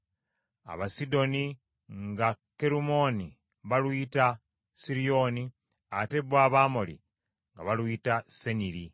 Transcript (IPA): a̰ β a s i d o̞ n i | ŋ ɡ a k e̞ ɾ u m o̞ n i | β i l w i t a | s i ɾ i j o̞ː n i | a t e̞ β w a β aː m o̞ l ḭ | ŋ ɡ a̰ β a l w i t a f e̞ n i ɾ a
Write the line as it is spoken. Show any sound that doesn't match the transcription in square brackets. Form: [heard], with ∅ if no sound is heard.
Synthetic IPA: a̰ β a s i d o̞ n i | ŋ ɡ a k e̞ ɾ u m o̞ n i | β [a] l w i t a | s i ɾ i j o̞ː n i | a t e̞ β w a β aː m o̞ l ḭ | ŋ ɡ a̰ β a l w i t a [s] e̞ n i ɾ [i]